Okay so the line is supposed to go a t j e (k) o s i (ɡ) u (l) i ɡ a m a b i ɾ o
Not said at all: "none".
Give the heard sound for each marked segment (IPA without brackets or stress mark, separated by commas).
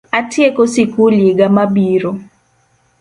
k, k, l